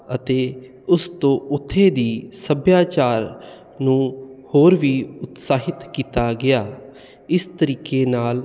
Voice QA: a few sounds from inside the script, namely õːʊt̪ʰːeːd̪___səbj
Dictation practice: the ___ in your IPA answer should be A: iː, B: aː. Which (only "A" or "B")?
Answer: A